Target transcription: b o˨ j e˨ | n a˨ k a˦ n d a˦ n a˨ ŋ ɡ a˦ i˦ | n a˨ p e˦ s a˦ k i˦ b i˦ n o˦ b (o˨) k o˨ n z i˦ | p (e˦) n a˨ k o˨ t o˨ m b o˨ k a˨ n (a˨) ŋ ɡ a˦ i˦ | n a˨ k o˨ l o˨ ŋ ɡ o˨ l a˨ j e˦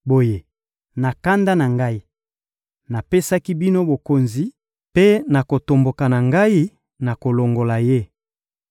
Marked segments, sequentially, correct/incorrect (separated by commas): correct, correct, correct